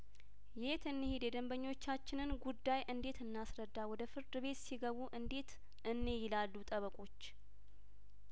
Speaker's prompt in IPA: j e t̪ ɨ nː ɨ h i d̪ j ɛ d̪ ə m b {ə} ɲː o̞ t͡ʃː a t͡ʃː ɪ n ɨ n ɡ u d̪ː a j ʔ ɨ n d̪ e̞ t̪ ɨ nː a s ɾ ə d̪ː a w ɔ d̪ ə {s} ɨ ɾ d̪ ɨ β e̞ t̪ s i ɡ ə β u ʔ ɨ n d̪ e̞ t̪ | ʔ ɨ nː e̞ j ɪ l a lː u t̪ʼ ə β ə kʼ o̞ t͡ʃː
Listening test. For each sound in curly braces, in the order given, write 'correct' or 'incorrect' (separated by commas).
correct, incorrect